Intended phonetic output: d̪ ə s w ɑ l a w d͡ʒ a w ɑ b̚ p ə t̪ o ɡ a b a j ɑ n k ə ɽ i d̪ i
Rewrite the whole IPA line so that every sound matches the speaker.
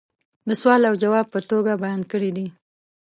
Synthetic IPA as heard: d̪ ə s w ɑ l a w d͡ʒ a w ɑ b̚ p ə t̪ o ɡ a b a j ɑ n k ə ɽ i d̪ i